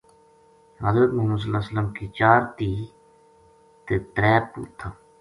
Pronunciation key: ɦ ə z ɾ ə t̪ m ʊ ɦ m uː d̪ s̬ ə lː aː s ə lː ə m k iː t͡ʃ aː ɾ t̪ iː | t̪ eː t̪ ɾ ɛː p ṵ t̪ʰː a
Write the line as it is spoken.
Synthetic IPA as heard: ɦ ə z ɾ ə t̪ m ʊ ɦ m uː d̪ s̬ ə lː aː s ə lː ə m k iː t͡ʃ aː ɾ t̪ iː | t̪ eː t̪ ɾ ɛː p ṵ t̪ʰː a